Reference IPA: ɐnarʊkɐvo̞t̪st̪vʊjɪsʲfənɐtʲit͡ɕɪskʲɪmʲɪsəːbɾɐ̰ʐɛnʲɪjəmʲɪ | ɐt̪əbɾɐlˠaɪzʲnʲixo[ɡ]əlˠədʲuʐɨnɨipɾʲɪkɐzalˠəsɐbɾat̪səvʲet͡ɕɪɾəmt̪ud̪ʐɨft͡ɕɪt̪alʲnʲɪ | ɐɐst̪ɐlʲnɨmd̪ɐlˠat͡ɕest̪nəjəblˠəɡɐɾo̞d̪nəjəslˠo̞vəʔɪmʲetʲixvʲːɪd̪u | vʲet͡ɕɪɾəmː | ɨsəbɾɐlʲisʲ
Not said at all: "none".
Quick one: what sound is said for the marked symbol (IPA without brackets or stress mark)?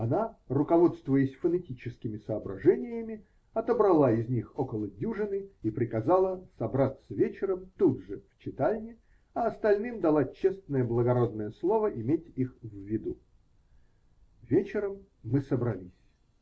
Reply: k